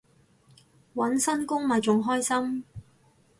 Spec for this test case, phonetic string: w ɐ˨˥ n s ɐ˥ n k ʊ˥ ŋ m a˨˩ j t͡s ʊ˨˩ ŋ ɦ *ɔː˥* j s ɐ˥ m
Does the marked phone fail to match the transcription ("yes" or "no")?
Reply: no